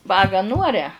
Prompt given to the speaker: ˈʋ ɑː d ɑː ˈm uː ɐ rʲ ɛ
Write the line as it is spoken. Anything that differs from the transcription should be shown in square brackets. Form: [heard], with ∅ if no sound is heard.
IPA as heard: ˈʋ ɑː [ɡ] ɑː [ˈn] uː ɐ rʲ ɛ

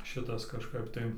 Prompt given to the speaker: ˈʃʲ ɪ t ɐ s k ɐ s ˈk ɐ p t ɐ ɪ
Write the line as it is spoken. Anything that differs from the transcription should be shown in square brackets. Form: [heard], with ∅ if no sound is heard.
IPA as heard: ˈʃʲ ɪ t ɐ s k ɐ [ʃ] ˈk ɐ p t ɐ ɪ

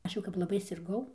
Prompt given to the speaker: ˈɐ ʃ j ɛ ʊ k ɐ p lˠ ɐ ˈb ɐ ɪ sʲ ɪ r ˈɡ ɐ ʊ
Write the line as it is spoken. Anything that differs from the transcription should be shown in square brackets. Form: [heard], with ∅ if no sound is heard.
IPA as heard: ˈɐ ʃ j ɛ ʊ k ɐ p lˠ ɐ ˈb ɐ ɪ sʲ ɪ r ˈɡ ɐ ʊ

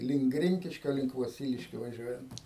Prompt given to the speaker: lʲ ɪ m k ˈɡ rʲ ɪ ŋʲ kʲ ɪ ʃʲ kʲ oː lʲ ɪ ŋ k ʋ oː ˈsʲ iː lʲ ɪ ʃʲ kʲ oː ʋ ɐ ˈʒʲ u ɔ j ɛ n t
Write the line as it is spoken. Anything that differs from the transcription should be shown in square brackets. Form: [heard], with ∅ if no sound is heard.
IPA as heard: lʲ ɪ [ŋ] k ˈɡ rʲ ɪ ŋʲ kʲ ɪ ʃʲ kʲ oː lʲ ɪ ŋ k ʋ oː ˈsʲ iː lʲ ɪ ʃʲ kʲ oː ʋ ɐ ˈʒʲ u ɔ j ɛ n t

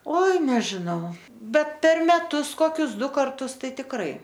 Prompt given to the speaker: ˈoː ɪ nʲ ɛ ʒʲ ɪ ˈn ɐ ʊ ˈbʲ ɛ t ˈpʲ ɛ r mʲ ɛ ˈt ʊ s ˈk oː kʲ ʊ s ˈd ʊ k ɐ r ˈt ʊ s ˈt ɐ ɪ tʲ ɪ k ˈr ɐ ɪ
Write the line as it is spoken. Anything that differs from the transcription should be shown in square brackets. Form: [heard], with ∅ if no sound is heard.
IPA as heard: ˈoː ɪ nʲ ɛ ʒʲ ɪ ˈn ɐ ʊ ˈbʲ ɛ t ˈpʲ ɛ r mʲ ɛ ˈt ʊ s ˈk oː kʲ ʊ s ˈd ʊ k ɐ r ˈt ʊ s ˈt ɐ ɪ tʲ ɪ k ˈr ɐ ɪ

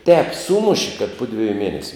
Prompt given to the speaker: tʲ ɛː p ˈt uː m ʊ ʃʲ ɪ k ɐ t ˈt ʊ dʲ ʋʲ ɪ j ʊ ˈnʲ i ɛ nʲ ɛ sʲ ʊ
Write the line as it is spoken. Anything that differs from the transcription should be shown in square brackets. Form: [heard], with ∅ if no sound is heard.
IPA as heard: tʲ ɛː p [ˈs] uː m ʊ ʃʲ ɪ k ɐ t [ˈp] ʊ dʲ ʋʲ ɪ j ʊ [ˈmʲ] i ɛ nʲ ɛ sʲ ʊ

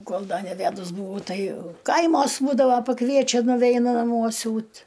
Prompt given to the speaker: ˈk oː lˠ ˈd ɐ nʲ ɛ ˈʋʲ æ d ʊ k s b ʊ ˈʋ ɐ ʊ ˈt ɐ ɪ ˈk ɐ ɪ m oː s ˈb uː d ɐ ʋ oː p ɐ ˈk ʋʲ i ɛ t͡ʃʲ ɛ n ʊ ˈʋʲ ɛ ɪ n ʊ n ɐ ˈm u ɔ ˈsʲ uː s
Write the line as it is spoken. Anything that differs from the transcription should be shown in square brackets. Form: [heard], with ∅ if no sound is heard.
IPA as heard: ˈk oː lˠ ˈd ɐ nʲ ɛ ˈʋʲ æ d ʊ [∅] s b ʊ ˈʋ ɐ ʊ ˈt ɐ ɪ ˈk ɐ ɪ m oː s ˈb uː d ɐ ʋ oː p ɐ ˈk ʋʲ i ɛ t͡ʃʲ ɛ n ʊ ˈʋʲ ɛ ɪ n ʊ n ɐ ˈm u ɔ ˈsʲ uː [t]

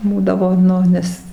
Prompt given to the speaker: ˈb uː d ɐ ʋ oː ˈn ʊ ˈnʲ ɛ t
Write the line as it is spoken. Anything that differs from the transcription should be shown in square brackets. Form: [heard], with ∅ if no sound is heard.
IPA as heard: ˈb uː d ɐ ʋ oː ˈn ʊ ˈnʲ ɛ [s]

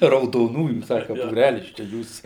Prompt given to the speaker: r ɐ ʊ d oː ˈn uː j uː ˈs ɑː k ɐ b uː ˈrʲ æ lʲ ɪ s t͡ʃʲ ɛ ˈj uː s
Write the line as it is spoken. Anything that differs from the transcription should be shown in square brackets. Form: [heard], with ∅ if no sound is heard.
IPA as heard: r ɐ ʊ d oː ˈn uː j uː ˈs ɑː k ɐ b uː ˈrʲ æ lʲ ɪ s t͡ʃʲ ɛ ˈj uː s

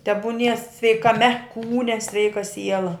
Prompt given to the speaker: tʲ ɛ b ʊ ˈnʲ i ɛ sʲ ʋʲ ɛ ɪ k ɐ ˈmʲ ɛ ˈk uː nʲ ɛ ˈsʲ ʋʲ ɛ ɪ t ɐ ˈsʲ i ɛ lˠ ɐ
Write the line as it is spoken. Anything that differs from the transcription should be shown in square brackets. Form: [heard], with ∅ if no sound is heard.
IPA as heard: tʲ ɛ b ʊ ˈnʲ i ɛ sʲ ʋʲ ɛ ɪ k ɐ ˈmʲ ɛ ˈk uː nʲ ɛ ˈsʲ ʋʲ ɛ ɪ [k] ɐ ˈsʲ i ɛ lˠ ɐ

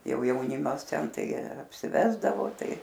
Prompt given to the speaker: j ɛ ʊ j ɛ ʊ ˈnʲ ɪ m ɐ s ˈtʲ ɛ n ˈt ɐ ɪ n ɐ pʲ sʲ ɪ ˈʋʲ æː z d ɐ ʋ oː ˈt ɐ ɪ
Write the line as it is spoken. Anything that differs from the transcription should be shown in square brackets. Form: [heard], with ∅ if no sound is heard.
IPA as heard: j ɛ ʊ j ɛ ʊ ˈnʲ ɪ m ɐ s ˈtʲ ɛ n ˈt ɐ ɪ [∅] ɐ pʲ sʲ ɪ ˈʋʲ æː z d ɐ ʋ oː ˈt ɐ ɪ

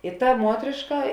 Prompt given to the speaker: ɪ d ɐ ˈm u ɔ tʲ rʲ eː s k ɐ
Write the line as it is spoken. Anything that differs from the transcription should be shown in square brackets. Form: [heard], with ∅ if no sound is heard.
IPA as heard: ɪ [t] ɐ ˈm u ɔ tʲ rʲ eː [ʃ] k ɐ

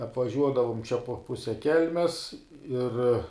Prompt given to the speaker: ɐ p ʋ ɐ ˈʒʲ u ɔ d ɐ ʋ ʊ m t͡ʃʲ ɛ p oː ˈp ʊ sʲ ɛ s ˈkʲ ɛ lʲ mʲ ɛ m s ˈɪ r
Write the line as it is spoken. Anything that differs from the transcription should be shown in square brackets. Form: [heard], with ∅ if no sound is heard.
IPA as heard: ɐ p ʋ ɐ ˈʒʲ u ɔ d ɐ ʋ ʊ m t͡ʃʲ ɛ p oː ˈp ʊ sʲ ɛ [∅] ˈkʲ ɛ lʲ mʲ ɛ [∅] s ˈɪ r

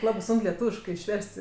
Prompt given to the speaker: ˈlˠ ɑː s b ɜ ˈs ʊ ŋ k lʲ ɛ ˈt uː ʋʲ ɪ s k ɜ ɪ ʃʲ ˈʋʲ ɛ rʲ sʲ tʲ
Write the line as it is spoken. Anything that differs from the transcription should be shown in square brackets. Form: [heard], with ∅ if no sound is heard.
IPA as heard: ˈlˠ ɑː [∅] b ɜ ˈs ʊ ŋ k lʲ ɛ ˈt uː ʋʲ ɪ [ʃ] k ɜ ɪ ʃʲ ˈʋʲ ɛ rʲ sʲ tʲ

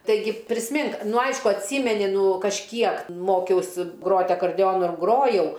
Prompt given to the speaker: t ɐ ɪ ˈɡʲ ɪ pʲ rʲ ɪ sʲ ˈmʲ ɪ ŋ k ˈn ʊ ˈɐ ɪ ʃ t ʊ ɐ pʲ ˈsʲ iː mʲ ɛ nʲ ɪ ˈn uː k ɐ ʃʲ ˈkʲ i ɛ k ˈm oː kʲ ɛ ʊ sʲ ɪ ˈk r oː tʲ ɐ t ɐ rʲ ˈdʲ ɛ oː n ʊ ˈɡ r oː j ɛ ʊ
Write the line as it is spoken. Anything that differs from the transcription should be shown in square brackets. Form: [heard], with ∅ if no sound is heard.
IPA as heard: t ɐ ɪ ˈɡʲ ɪ pʲ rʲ ɪ sʲ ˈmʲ ɪ ŋ k ˈn ʊ ˈɐ ɪ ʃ [k] ʊ ɐ [tʲ] ˈsʲ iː mʲ ɛ nʲ ɪ ˈn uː k ɐ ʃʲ ˈkʲ i ɛ k ˈm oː kʲ ɛ ʊ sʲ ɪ [ˈɡ] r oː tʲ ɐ [k] ɐ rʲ ˈdʲ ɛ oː n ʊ ˈɡ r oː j ɛ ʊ

